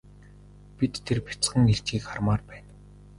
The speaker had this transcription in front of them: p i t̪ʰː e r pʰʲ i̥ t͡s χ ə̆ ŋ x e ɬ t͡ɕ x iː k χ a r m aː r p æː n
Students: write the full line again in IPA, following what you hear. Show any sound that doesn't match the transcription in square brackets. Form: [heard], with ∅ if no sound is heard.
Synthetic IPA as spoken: p i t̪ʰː e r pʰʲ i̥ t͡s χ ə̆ ŋ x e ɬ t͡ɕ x iː k χ a r m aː r p æː n